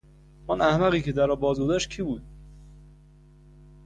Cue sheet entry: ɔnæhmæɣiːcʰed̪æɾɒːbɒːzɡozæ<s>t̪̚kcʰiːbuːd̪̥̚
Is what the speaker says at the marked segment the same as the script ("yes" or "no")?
no